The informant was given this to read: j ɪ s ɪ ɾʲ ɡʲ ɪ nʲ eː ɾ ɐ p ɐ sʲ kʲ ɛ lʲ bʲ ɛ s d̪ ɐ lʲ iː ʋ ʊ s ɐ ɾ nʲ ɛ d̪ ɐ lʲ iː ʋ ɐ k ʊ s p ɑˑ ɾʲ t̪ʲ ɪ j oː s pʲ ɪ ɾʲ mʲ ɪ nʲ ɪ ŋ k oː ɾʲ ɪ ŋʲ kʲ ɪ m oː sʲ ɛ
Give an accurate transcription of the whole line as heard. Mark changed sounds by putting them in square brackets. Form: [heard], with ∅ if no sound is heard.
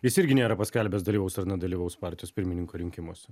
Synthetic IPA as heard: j ɪ s ɪ ɾʲ ɡʲ ɪ nʲ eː ɾ ɐ p ɐ sʲ kʲ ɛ lʲ bʲ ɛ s d̪ ɐ lʲ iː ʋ ʊ s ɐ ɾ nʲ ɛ d̪ ɐ lʲ iː ʋ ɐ [∅] ʊ s p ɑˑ ɾʲ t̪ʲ ɪ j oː s pʲ ɪ ɾʲ mʲ ɪ nʲ ɪ ŋ k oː ɾʲ ɪ ŋʲ kʲ ɪ m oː sʲ ɛ